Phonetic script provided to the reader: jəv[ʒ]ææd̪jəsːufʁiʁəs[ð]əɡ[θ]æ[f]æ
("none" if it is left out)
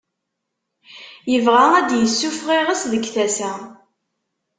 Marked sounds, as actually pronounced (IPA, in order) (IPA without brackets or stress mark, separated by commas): ʁ, ð, θ, s